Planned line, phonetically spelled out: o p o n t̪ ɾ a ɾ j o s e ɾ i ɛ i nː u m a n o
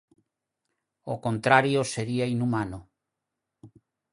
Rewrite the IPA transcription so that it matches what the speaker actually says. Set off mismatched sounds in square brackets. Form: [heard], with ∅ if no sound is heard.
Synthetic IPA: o [k] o n t̪ ɾ a ɾ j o s e ɾ i [a] i [n] u m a n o